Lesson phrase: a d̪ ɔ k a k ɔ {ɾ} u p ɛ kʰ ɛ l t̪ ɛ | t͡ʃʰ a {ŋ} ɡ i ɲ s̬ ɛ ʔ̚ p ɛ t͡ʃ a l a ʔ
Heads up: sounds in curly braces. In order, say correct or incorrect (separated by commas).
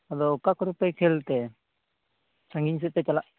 correct, correct